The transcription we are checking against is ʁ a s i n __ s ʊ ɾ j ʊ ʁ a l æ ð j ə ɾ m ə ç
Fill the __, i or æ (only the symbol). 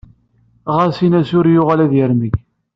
æ